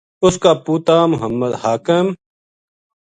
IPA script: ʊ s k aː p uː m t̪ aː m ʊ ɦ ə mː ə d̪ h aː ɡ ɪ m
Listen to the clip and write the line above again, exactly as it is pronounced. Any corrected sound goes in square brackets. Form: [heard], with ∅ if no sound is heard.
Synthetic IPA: ʊ s k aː p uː [∅] t̪ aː m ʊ ɦ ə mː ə d̪ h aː [k] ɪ m